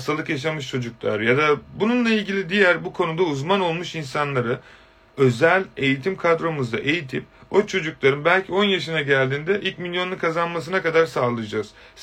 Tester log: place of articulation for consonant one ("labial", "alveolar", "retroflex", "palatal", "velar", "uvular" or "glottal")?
alveolar